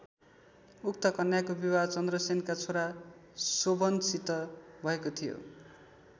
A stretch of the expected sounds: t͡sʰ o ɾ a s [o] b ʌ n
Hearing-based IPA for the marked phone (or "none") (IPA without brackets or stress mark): o